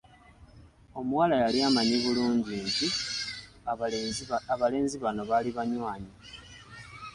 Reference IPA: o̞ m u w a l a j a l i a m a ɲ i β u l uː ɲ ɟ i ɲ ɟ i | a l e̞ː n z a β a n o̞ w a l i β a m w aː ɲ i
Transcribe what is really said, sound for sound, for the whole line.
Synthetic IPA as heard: o̞ m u w a l a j a l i a m a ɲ i β u l uː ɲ ɟ i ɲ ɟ i | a l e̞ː n z i β a n o̞ β a l i β a ɲ w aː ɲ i